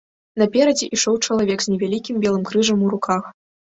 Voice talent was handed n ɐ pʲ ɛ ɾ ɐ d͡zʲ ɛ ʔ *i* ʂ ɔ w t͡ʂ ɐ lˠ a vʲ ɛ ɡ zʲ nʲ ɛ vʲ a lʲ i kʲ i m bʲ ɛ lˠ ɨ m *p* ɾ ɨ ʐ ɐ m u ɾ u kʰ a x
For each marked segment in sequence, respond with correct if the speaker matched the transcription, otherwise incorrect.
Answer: correct, incorrect

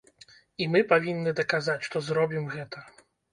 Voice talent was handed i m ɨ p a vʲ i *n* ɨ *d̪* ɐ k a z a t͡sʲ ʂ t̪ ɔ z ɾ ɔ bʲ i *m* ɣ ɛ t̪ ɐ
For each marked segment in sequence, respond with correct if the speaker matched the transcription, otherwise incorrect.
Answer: incorrect, correct, correct

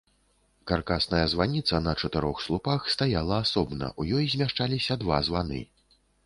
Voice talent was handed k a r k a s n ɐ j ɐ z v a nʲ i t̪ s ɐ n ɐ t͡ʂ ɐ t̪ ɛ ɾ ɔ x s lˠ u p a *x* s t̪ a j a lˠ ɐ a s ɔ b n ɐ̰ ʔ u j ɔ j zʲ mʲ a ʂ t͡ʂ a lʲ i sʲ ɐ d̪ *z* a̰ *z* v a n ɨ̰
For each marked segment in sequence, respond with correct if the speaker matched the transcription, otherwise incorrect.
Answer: correct, incorrect, correct

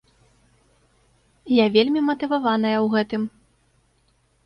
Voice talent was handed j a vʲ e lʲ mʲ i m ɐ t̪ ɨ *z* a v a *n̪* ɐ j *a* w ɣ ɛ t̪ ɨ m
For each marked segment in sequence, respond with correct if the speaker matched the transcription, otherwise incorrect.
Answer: incorrect, correct, incorrect

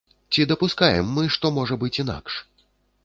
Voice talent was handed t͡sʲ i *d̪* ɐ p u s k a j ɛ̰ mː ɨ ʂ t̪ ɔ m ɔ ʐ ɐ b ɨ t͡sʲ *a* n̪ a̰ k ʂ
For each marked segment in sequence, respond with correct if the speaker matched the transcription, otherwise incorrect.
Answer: correct, incorrect

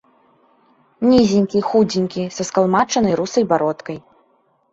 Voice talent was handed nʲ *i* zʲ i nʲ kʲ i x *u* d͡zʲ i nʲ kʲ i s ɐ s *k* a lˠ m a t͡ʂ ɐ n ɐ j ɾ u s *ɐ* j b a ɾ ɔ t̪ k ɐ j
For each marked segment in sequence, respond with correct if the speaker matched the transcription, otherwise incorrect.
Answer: correct, correct, correct, correct

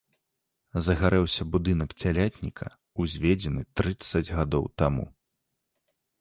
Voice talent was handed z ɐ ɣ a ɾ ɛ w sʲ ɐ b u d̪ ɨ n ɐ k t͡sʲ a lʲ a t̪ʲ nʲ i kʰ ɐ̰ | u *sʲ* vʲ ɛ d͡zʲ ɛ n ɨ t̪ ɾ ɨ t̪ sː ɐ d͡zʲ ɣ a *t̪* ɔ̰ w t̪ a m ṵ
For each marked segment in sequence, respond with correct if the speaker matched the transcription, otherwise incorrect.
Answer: incorrect, incorrect

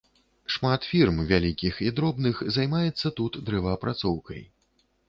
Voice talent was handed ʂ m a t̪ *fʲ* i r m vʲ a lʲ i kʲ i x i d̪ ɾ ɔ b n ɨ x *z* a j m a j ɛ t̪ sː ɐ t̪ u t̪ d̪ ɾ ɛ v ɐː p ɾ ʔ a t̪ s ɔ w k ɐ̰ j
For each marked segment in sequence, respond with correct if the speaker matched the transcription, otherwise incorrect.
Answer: correct, correct

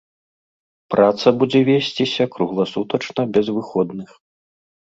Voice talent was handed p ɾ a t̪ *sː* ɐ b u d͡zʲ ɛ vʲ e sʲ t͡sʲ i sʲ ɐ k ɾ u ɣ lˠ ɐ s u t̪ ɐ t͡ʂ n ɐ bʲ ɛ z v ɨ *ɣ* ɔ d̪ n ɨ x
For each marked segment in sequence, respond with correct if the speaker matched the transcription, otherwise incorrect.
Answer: incorrect, incorrect

